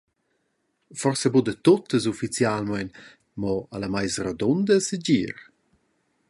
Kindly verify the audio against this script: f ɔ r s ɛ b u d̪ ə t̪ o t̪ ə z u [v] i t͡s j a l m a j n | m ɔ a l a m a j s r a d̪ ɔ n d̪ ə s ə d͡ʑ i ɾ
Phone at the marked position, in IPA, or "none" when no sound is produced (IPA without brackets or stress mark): f